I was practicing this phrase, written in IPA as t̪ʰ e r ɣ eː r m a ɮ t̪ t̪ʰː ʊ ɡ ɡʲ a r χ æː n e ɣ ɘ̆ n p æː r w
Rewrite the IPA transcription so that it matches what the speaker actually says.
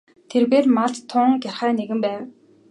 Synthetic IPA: t̪ʰ e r ɣ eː r m a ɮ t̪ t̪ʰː ʊ ŋ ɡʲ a r χ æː n e ɣ ɘ̆ m p æː w